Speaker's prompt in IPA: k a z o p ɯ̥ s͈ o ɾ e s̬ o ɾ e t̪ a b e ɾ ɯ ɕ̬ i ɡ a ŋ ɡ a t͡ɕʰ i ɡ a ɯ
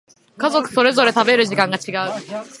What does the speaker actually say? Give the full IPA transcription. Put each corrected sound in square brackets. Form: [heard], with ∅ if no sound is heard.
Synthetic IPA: k a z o [k] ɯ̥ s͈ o ɾ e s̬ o ɾ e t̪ a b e ɾ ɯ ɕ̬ i ɡ a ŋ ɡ a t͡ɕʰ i ɡ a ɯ